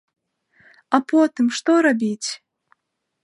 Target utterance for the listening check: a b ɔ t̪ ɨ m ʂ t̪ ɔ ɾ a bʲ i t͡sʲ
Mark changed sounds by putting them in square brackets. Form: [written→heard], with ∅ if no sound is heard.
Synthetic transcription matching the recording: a [b→p] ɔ t̪ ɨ m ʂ t̪ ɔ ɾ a bʲ i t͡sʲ